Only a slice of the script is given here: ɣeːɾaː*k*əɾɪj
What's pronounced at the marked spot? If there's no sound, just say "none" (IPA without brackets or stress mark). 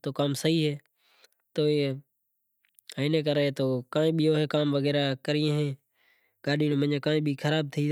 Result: k